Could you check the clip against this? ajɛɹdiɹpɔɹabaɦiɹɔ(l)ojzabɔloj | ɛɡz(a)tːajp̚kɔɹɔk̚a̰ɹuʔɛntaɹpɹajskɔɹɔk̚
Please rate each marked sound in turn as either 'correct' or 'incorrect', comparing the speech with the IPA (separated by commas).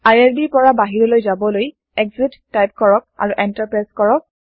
correct, incorrect